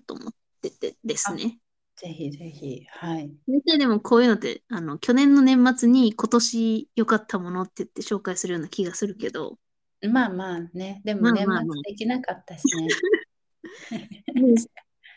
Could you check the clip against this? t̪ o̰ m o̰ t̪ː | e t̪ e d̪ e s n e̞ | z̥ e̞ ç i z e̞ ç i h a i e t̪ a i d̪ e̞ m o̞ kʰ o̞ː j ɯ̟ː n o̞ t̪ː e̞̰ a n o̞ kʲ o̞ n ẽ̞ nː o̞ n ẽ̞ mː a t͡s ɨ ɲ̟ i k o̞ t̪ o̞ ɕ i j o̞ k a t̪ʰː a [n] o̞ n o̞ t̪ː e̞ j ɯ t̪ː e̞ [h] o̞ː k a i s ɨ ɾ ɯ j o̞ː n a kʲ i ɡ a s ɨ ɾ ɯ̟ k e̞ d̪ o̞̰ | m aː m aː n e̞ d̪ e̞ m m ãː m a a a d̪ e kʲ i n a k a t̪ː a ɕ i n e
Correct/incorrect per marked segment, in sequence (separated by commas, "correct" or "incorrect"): incorrect, incorrect